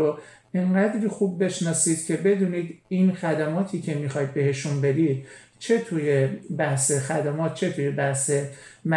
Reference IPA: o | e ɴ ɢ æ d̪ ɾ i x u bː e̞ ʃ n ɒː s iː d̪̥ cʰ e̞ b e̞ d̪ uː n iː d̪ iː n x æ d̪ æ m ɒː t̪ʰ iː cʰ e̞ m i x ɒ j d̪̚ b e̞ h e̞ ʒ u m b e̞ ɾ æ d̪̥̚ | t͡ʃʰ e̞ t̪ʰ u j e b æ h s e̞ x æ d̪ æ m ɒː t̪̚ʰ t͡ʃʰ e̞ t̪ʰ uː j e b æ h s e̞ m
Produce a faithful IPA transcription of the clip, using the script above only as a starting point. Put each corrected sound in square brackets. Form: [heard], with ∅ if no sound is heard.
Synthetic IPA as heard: o | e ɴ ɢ æ d̪ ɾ i x u bː e̞ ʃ n ɒː s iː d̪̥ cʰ e̞ b e̞ d̪ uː n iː d̪ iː n x æ d̪ æ m ɒː t̪ʰ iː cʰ e̞ m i x ɒ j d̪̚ b e̞ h e̞ [ʃ] u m b e̞ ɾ [i] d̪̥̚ | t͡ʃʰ e̞ t̪ʰ u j e b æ h s e̞ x æ d̪ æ m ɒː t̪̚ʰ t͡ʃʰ e̞ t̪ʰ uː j e b æ h s e̞ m